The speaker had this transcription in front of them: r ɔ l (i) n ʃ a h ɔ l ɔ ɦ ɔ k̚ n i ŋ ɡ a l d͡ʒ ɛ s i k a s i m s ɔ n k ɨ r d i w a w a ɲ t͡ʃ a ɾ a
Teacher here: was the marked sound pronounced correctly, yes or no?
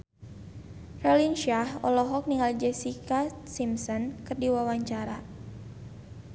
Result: yes